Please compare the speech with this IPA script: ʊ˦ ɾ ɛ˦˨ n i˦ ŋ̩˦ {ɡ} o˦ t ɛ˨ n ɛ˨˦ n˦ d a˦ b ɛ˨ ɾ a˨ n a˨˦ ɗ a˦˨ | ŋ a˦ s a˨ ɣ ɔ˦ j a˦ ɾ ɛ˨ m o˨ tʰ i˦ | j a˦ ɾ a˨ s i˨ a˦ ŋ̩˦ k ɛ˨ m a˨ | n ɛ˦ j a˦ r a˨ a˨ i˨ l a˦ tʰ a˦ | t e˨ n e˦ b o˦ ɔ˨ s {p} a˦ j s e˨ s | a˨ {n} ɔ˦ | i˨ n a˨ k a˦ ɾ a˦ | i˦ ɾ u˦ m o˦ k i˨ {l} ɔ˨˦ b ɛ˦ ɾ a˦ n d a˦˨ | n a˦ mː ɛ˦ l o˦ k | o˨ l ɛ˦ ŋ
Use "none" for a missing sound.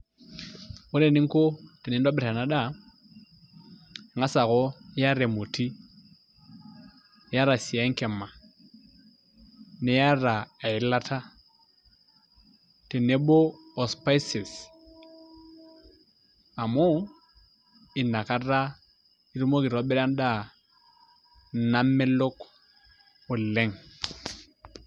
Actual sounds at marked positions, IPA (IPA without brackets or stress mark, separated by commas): k, p, m, ɾ